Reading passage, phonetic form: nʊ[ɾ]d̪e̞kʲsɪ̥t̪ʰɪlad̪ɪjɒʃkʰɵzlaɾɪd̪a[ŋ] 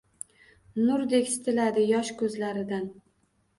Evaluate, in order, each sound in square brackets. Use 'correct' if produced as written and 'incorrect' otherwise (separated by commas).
correct, incorrect